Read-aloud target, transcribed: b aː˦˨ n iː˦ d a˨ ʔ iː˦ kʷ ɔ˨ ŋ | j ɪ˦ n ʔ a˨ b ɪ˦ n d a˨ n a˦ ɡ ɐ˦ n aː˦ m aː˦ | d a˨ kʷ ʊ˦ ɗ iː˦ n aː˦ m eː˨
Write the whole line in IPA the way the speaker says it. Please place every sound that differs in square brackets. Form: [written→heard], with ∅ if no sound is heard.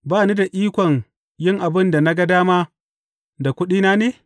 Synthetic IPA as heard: b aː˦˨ n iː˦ d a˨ ʔ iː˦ kʷ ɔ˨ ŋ | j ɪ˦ [n→ŋ] ʔ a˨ b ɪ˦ n d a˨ n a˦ ɡ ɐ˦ [n→d] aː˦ m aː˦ | d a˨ kʷ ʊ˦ ɗ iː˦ n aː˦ [m→n] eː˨